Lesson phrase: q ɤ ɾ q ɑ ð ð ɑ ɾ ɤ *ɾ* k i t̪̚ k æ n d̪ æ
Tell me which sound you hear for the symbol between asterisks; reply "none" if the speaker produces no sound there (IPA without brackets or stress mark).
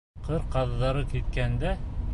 none